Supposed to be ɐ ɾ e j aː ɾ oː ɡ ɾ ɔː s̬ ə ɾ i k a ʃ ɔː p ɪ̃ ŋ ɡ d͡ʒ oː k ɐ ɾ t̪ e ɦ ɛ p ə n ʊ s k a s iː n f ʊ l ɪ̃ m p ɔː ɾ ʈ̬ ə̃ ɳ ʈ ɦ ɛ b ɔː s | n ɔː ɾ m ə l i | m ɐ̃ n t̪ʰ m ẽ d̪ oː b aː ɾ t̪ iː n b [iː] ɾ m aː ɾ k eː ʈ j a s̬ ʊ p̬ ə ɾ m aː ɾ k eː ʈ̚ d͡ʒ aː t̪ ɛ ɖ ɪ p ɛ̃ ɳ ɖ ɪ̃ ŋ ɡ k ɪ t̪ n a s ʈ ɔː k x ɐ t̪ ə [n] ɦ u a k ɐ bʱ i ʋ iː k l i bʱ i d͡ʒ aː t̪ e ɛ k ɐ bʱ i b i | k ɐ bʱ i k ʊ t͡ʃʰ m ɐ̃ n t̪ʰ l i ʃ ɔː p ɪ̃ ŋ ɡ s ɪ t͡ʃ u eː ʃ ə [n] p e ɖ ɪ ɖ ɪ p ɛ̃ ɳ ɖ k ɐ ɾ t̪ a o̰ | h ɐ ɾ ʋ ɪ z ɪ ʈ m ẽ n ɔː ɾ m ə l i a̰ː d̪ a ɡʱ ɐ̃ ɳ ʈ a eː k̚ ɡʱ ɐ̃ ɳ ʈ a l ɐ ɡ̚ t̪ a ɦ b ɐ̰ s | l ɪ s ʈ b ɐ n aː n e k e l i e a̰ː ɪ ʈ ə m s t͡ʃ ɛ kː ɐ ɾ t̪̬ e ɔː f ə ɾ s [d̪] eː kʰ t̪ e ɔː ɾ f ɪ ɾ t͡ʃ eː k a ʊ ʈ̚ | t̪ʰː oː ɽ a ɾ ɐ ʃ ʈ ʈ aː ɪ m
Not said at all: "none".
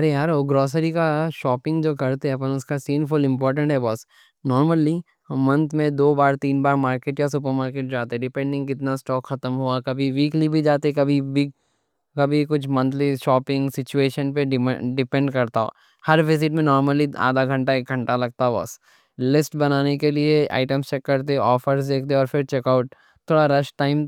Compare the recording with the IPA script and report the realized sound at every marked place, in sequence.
aː, m, n, d̪

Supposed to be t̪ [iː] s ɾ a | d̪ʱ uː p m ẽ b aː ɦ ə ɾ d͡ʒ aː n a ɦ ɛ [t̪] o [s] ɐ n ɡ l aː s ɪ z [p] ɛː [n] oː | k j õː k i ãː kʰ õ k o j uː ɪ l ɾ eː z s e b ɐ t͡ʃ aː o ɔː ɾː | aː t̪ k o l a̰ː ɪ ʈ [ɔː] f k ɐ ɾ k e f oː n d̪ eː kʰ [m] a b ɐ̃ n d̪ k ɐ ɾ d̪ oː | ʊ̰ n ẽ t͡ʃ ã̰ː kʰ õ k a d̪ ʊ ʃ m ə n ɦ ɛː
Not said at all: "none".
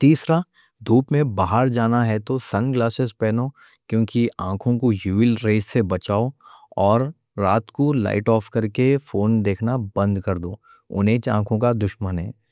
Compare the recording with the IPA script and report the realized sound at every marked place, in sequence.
iː, t̪, s, p, n, ɔː, n

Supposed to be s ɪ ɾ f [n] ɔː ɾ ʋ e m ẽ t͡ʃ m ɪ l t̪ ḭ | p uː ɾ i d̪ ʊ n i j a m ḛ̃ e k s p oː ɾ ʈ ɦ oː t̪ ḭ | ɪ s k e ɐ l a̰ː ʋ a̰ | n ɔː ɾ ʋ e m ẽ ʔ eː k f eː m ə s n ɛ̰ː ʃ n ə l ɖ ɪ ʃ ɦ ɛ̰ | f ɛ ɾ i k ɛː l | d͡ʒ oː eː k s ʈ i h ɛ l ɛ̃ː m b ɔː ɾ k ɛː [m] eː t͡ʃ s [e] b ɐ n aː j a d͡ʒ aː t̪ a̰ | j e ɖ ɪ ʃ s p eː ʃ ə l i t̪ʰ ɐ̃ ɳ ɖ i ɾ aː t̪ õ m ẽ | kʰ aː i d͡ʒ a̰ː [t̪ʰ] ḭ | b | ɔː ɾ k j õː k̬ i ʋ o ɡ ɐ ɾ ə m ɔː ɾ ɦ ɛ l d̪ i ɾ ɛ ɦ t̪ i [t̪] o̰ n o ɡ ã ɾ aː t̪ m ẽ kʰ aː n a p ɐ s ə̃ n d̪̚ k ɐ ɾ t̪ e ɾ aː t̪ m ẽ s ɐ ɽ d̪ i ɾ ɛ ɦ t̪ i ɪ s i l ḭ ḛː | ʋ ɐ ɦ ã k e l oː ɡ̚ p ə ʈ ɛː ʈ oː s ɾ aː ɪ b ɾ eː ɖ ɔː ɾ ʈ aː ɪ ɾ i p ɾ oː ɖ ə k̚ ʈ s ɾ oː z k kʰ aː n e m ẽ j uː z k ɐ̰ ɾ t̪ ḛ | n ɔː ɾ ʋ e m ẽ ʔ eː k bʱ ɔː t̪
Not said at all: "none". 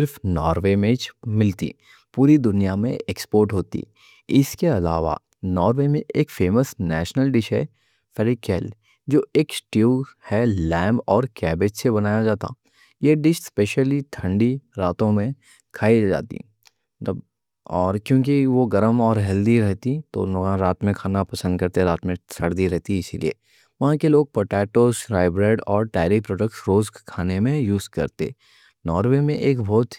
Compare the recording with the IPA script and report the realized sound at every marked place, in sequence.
n, b, e, t̪, t̪

